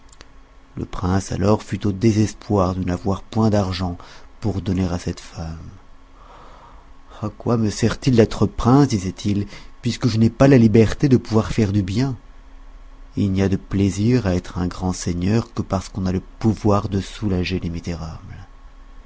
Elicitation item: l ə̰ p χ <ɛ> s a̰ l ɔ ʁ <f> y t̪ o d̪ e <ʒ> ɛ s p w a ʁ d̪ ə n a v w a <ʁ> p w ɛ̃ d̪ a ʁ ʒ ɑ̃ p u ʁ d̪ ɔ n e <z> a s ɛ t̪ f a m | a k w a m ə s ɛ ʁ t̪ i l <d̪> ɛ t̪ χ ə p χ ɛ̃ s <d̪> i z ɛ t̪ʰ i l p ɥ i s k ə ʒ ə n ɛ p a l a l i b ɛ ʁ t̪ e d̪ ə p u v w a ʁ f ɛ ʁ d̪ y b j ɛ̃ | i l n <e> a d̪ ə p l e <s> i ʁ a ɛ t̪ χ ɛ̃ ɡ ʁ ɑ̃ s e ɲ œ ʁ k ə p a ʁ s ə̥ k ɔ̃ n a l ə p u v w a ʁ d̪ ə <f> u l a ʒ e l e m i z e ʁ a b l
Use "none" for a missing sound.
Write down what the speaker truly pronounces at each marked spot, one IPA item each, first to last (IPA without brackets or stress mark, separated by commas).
ɛ̃, f, z, ʁ, ʁ, d̪, d̪, i, z, s